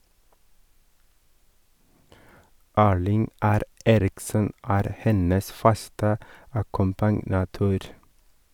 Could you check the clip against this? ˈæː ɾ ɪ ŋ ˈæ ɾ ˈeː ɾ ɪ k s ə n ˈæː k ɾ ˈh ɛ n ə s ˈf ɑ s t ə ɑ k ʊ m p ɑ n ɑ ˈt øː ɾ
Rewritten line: ˈæː ɭ ɪ ŋ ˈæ ɾ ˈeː ɾ ɪ k s ə n ˈæː ɾ ˈh ɛ n ə s ˈf ɑ s t ə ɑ k ʊ m p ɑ n ɑ ˈt øː ɾ